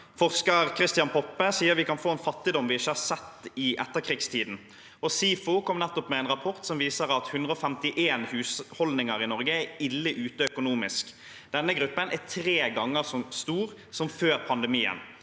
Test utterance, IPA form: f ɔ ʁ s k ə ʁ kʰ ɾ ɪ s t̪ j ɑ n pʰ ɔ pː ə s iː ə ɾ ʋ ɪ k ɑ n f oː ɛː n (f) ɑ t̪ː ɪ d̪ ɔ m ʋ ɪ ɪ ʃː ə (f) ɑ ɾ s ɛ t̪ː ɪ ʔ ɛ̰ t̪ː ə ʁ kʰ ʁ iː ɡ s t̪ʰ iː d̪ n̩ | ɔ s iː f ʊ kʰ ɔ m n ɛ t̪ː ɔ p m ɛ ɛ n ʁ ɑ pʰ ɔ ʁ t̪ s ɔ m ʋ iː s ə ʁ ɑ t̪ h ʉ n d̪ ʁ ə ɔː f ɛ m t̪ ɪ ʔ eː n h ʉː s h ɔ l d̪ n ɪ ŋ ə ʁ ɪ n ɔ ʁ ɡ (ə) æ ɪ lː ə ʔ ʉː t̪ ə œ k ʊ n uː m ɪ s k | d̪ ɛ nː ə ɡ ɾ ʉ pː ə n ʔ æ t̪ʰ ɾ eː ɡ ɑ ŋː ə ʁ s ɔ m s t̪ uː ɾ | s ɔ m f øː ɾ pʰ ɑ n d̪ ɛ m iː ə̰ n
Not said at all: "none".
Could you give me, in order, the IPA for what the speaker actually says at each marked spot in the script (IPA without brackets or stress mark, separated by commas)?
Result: f, h, ə